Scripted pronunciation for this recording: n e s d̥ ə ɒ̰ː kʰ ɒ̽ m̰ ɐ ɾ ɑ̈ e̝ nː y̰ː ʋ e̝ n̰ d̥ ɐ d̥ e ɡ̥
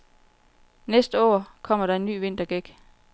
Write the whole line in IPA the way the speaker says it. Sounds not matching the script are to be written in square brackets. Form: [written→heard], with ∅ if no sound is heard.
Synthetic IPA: n e s d̥ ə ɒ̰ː kʰ ɒ̽ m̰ ɐ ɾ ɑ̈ e̝ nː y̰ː ʋ e̝ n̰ d̥ ɐ [d̥→ɡ̥] e ɡ̥